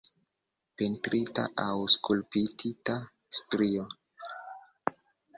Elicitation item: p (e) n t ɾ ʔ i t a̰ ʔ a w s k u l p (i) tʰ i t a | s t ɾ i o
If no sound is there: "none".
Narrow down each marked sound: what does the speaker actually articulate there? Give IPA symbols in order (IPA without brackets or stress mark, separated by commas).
e, i